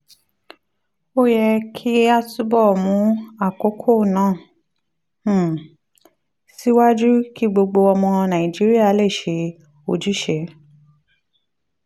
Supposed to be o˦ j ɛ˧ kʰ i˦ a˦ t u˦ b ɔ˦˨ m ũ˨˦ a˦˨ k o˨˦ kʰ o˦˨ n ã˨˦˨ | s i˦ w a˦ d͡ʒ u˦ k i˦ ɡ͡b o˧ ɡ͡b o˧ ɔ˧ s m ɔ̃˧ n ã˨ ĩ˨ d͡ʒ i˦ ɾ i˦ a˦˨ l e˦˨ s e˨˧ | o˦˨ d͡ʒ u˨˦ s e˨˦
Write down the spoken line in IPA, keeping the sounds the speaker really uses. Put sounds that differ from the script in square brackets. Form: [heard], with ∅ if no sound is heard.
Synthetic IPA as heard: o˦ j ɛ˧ kʰ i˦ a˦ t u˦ b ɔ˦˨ m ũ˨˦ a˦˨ k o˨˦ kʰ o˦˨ n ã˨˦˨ | s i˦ w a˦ d͡ʒ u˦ k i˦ ɡ͡b o˧ ɡ͡b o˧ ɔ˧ [∅] m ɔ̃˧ n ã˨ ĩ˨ d͡ʒ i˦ ɾ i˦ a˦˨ l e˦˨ [ʃ] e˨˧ | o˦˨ d͡ʒ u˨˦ [ʃ] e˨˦